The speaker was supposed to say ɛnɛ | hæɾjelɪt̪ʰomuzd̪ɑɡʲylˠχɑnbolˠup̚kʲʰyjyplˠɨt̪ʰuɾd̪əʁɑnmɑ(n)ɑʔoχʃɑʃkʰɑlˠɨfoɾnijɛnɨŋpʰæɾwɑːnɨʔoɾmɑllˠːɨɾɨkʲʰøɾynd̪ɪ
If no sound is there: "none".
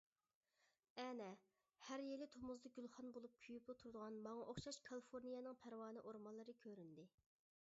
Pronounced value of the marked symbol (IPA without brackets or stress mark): ŋ